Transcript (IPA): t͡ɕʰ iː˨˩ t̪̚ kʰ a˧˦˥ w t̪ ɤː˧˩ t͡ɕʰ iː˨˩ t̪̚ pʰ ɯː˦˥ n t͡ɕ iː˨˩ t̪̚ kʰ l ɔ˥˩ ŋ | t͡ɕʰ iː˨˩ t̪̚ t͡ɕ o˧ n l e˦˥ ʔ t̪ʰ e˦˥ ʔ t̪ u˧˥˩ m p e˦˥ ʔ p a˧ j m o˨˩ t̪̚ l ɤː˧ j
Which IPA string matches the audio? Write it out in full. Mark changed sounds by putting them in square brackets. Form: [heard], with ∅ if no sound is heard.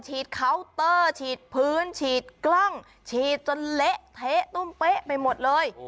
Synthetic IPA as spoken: t͡ɕʰ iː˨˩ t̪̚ kʰ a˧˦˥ w t̪ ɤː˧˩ t͡ɕʰ iː˨˩ t̪̚ pʰ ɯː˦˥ n [t͡ɕʰ] iː˨˩ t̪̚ [k] l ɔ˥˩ ŋ | t͡ɕʰ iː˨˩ t̪̚ t͡ɕ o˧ n l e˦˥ ʔ t̪ʰ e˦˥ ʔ t̪ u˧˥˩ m p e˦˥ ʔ p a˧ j m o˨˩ t̪̚ l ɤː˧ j